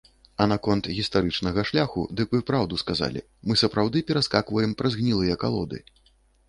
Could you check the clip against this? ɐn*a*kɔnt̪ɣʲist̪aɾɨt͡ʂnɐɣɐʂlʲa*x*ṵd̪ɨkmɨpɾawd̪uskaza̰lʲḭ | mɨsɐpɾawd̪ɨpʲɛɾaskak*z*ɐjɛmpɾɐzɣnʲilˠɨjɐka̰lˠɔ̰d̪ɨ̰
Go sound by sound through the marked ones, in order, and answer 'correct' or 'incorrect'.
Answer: correct, correct, incorrect: v

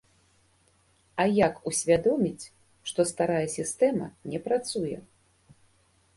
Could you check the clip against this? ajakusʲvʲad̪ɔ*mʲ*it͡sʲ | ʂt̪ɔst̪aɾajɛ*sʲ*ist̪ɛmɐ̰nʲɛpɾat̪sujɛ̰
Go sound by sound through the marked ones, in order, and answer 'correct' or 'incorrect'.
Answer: correct, correct

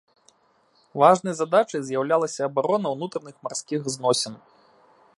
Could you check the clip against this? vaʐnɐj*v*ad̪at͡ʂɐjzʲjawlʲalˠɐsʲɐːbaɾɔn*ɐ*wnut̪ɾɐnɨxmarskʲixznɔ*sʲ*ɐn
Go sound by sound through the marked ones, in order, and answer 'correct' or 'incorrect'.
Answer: incorrect: z, correct, correct

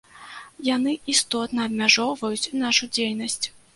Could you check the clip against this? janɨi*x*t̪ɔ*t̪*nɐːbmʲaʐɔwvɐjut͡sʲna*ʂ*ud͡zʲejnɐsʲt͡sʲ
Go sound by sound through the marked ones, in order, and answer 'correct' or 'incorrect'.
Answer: incorrect: s, correct, correct

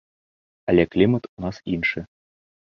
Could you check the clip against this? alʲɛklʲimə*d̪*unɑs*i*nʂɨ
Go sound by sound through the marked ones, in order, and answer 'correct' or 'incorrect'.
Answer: incorrect: t̪, correct

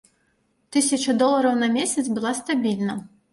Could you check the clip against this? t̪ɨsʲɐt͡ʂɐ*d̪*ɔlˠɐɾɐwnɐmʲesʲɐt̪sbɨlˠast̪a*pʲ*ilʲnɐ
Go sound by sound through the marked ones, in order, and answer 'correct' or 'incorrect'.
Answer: correct, incorrect: bʲ

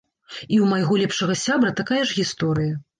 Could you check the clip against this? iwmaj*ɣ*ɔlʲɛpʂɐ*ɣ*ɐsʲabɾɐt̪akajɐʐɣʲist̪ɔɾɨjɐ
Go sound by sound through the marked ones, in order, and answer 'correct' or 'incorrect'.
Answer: correct, correct

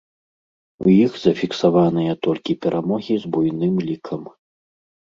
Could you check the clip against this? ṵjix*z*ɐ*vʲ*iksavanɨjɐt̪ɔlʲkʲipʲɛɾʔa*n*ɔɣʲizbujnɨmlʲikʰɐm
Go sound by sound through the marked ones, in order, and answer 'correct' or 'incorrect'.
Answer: correct, incorrect: fʲ, incorrect: m

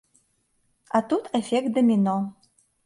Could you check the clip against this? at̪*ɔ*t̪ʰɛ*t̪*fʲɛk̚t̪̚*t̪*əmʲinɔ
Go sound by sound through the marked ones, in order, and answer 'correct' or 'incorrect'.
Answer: incorrect: u, incorrect: none, incorrect: d̪

